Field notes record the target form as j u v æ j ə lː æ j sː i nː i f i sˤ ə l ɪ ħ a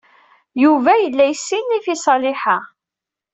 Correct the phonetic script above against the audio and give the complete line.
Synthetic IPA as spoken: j u v æ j ə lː æ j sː i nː i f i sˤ ɑ l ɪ ħ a